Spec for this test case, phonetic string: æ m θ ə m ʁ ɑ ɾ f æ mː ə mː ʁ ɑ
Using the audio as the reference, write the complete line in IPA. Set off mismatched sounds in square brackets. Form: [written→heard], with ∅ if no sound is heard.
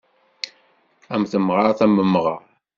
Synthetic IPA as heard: æ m θ ə m ʁ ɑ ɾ [f→θ] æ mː ə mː ʁ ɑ